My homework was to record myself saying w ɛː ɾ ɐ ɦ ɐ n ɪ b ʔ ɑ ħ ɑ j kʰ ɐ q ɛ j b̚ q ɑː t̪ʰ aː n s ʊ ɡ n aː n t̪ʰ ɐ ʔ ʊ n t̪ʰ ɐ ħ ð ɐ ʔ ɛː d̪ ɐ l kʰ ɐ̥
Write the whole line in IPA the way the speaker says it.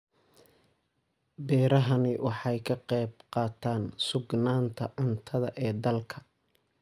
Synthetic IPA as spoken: b ɛː ɾ ɐ ɦ ɐ n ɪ w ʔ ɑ ħ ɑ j kʰ ɐ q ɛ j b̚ q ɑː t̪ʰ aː n s ʊ ɡ n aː n t̪ʰ ɐ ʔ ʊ n t̪ʰ ɐ ð ɐ ʔ ɛː d̪ ɐ l kʰ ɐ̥